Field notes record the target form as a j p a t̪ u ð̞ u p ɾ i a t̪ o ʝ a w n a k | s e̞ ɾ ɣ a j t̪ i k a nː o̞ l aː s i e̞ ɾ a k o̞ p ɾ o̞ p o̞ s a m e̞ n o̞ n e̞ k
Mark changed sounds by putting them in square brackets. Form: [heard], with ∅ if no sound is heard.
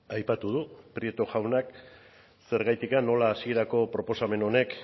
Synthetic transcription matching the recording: a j p a t̪ u ð̞ u p ɾ i [e] t̪ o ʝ a w n a k | s e̞ ɾ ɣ a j t̪ i k a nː o̞ l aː s i e̞ ɾ a k o̞ p ɾ o̞ p o̞ s a m e̞ n o̞ n e̞ k